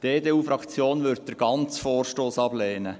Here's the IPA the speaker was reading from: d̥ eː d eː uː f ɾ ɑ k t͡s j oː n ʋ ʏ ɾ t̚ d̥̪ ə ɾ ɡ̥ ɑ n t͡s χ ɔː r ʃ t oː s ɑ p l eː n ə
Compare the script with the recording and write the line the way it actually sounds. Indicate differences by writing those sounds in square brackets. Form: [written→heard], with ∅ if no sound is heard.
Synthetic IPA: d̥ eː d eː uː f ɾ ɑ k t͡s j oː n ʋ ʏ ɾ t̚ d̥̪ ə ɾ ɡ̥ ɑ n t͡s [χ→f] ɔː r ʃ t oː s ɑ [p→b] l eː n ə